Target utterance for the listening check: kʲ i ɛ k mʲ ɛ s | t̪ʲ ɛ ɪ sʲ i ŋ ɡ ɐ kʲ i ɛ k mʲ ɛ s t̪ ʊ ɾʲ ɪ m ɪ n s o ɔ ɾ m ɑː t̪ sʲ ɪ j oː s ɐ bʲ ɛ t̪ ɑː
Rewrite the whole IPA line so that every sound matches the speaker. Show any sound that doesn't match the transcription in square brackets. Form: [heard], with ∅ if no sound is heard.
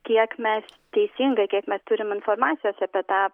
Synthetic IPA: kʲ i ɛ k mʲ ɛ s | t̪ʲ ɛ ɪ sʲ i ŋ ɡ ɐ kʲ i ɛ k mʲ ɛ s t̪ ʊ ɾʲ ɪ m ɪ n [f] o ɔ ɾ m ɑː t̪ sʲ ɪ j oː s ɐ [pʲ] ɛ t̪ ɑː